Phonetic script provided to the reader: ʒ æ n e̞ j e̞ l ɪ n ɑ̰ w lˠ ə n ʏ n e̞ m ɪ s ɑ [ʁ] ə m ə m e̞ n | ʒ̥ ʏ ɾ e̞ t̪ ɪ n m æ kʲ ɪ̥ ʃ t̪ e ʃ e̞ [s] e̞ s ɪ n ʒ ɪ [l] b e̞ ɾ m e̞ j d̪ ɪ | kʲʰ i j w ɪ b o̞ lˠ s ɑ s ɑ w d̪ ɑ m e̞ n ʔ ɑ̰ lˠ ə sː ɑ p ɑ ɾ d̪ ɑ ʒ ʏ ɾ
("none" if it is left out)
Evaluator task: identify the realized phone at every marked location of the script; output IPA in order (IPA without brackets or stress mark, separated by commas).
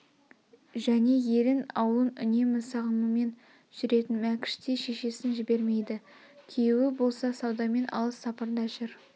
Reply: ʁ, ʃ, none